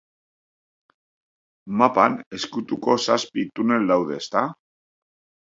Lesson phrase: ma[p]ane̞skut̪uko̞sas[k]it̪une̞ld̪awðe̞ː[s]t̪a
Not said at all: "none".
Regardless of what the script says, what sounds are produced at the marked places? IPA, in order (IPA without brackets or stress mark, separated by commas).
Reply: p, p, s